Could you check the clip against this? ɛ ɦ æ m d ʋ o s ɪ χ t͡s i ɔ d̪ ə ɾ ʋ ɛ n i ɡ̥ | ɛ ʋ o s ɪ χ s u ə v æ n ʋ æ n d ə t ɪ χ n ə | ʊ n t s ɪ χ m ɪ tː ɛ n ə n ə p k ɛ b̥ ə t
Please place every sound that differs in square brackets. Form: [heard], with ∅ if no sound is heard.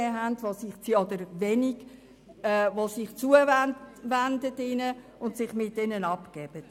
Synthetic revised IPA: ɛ ɦ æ [n] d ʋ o s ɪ χ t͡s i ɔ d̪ ə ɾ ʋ ɛ n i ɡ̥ | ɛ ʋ o s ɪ χ [t͡s] u ə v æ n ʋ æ n d ə t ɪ [∅] n ə | ʊ n t s ɪ χ m ɪ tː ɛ n ə n [ɑ] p k ɛ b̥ ə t